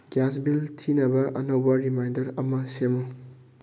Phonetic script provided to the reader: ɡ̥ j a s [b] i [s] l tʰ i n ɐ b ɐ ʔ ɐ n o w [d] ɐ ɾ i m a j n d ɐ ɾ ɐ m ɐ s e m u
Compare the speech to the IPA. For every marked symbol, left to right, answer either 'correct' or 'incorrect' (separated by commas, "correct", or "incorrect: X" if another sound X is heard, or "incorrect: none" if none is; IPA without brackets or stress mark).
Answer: correct, incorrect: none, incorrect: b